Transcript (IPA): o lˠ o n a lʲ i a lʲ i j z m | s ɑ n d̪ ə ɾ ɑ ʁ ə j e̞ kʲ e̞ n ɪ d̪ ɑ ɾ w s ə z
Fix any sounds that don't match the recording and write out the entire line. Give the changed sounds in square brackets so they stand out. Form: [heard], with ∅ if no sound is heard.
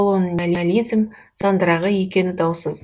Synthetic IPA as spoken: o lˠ o n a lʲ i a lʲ i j z m | s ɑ n d̪ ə ɾ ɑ ʁ ə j e̞ kʲ e̞ n ɪ d̪ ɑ [∅] w s ə z